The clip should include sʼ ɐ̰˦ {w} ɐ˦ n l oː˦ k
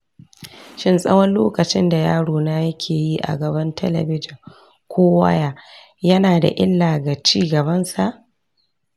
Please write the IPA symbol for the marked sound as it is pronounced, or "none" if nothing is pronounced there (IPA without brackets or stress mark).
w